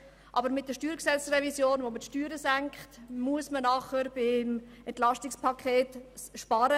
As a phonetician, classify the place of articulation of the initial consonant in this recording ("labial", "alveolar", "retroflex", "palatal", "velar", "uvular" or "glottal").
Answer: glottal